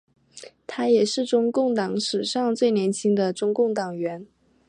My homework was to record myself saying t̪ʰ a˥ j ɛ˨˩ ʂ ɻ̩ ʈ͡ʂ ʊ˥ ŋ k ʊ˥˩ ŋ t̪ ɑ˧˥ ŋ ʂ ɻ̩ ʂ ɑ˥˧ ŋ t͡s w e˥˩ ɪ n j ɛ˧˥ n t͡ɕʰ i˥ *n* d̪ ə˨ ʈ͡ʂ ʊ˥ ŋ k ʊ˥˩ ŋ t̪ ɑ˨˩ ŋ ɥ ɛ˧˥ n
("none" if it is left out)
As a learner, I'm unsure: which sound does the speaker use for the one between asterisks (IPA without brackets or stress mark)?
ŋ